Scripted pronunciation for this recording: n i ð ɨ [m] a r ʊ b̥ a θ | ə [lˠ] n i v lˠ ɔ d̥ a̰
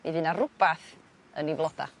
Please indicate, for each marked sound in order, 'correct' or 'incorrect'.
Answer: incorrect: n, incorrect: none

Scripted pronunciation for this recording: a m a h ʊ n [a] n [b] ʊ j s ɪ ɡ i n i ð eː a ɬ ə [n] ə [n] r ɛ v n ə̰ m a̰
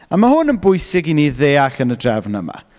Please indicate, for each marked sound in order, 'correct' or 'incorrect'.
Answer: incorrect: ə, correct, correct, incorrect: d

